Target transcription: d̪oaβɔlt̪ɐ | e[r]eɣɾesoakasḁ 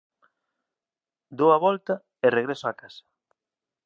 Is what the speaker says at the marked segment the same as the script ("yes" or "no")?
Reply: yes